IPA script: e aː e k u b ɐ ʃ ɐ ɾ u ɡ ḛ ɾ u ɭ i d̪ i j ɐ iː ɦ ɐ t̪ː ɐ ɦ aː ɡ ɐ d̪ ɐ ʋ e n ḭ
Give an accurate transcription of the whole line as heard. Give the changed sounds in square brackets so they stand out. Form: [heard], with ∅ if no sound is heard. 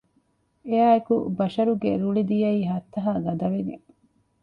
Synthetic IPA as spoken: e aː e k u b ɐ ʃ ɐ ɾ u ɡ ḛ ɾ u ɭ i d̪ i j ɐ iː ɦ ɐ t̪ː ɐ ɦ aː ɡ ɐ d̪ ɐ ʋ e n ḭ

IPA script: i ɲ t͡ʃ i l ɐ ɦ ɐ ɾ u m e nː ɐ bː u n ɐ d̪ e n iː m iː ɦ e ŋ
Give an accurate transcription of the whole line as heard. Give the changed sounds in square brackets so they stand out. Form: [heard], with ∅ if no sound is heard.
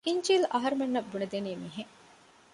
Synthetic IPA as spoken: i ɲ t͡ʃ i l ɐ ɦ ɐ ɾ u m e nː ɐ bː u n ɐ d̪ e n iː m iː ɦ e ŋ

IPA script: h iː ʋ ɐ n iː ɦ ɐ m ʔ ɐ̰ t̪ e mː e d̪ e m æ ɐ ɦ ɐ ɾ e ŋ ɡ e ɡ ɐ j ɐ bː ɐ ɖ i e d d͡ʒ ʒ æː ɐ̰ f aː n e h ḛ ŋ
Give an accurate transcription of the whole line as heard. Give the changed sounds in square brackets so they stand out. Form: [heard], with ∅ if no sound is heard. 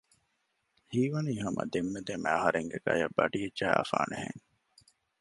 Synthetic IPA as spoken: h iː ʋ ɐ n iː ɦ ɐ m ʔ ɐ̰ [d̪] e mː e d̪ e m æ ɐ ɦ ɐ ɾ e ŋ ɡ e ɡ ɐ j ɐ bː ɐ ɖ i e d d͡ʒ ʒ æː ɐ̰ f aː n e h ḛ ŋ

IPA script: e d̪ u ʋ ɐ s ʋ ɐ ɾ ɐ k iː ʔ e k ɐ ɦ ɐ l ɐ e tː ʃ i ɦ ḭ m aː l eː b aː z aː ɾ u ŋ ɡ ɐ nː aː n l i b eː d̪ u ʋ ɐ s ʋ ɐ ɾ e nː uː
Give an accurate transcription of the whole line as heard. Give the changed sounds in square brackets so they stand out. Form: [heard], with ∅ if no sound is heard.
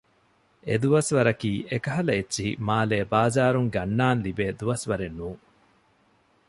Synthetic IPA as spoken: e d̪ u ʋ ɐ s ʋ ɐ ɾ ɐ k iː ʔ e k ɐ ɦ ɐ l ɐ e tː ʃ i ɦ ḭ m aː l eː b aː z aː ɾ u ŋ ɡ ɐ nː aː n l i b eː d̪ u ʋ ɐ s ʋ ɐ ɾ e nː uː

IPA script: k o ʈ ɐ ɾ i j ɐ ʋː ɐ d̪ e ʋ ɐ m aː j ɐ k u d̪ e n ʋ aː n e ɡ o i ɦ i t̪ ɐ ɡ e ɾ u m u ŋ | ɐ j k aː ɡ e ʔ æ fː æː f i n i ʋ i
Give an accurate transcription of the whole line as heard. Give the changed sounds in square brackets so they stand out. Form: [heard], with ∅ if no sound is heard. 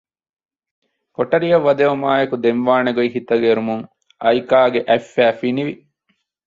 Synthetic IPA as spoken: k o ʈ ɐ ɾ i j ɐ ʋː ɐ d̪ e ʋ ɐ m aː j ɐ k u d̪ e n ʋ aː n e ɡ o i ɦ i t̪ ɐ ɡ e ɾ u m u ŋ | ɐ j k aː ɡ e ʔ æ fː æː f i n i ʋ i

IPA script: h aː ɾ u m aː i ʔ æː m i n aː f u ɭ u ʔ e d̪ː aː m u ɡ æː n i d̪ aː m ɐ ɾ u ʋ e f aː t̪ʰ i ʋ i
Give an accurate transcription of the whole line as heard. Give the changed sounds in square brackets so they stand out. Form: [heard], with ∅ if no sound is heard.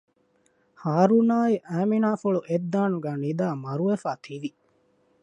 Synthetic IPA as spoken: h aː ɾ u [n] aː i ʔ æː m i n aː f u ɭ u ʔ e d̪ː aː [n] u ɡ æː n i d̪ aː m ɐ ɾ u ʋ e f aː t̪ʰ i ʋ i

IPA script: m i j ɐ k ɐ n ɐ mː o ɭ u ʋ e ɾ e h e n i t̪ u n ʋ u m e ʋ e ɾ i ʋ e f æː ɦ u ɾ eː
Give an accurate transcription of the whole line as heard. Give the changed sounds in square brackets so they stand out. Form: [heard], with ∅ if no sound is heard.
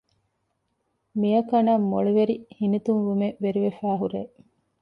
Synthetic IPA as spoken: m i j ɐ k ɐ n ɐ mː o ɭ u ʋ e ɾ [i] h [i] n i t̪ u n ʋ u m e ʋ e ɾ i ʋ e f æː ɦ u ɾ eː

